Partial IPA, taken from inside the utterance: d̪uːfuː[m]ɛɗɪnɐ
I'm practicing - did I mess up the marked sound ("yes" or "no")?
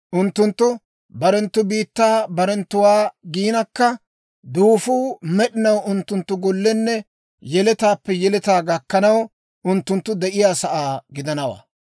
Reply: no